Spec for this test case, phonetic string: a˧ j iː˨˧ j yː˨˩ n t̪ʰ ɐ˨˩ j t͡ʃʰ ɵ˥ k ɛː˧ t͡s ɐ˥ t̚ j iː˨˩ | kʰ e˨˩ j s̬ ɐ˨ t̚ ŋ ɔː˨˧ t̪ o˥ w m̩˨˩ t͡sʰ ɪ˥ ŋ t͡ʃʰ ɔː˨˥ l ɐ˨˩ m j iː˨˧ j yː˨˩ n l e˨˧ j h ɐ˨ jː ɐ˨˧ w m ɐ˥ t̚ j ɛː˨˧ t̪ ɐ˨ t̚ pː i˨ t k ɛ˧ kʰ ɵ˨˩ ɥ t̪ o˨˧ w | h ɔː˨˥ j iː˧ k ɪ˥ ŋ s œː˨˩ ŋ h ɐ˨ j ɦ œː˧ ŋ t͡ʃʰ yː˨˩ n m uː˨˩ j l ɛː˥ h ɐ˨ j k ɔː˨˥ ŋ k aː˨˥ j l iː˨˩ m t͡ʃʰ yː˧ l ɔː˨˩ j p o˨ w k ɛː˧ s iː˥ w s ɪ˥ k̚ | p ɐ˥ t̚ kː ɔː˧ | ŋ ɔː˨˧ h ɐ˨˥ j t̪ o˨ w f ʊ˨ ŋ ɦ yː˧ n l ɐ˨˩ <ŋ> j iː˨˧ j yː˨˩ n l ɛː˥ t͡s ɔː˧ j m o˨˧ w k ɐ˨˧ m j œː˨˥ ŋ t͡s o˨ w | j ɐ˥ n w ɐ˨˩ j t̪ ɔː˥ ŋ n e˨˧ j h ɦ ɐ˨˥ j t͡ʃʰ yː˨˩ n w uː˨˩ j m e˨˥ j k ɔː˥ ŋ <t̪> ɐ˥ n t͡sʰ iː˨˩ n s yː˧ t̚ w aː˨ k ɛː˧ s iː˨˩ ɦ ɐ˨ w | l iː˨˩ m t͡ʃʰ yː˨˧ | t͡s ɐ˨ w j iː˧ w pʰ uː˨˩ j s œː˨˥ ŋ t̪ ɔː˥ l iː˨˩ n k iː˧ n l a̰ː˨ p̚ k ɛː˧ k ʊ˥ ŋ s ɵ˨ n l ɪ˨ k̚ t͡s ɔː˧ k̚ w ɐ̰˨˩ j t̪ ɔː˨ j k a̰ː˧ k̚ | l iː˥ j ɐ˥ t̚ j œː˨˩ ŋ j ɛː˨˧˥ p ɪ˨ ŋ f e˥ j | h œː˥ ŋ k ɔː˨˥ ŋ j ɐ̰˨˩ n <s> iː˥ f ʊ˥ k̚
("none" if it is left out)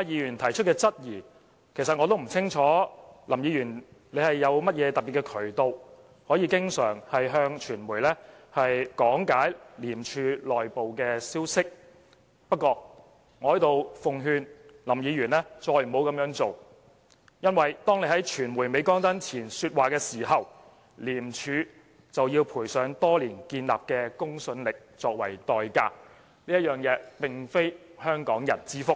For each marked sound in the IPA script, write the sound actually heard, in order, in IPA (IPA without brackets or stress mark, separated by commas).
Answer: m, t̪, t͡s